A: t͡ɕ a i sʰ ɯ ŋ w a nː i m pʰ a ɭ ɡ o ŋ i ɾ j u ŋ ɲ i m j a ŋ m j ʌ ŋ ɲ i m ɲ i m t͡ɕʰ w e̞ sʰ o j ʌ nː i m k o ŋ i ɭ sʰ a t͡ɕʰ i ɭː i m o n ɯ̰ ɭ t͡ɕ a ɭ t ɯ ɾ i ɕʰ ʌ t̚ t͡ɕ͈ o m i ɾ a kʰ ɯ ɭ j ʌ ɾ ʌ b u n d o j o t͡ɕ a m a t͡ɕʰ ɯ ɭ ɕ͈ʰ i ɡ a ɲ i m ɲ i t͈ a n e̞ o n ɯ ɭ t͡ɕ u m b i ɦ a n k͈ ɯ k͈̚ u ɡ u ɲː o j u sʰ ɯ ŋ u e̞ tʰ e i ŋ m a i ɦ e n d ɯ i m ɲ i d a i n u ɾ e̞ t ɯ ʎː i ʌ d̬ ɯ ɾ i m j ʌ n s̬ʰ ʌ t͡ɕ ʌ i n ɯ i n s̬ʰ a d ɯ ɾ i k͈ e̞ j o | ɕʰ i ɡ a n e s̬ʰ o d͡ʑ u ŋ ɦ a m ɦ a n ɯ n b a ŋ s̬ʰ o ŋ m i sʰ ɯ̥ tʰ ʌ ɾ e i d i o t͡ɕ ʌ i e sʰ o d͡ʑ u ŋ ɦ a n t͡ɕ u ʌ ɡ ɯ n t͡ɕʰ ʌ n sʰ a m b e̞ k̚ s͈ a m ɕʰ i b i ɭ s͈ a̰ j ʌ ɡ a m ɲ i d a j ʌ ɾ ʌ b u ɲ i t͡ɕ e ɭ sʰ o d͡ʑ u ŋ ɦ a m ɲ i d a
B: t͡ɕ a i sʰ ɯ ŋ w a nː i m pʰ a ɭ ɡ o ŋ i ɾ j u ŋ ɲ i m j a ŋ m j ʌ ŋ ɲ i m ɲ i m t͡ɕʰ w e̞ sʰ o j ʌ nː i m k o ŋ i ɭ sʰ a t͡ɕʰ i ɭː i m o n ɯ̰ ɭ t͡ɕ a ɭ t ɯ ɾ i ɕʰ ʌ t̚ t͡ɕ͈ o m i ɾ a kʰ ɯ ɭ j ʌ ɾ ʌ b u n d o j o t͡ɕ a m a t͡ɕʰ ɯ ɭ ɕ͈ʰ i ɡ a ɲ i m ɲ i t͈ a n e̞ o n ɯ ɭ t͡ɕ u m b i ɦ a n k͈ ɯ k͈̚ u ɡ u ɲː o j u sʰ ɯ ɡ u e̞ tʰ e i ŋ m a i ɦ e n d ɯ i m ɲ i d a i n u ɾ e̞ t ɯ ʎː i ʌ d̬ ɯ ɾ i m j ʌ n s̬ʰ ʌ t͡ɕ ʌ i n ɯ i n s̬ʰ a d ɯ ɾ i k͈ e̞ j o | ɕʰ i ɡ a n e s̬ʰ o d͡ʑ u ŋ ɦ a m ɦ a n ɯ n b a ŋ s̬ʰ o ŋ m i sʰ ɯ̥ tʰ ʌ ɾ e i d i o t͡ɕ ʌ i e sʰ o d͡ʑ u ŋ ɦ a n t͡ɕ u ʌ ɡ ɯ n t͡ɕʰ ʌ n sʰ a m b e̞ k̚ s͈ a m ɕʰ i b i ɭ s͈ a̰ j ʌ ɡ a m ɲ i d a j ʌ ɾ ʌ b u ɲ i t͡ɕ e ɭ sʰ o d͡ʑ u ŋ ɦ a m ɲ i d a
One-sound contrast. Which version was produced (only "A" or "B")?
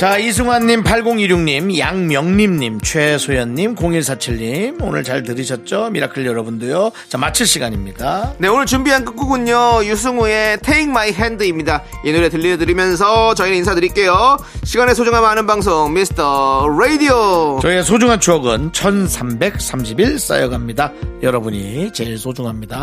A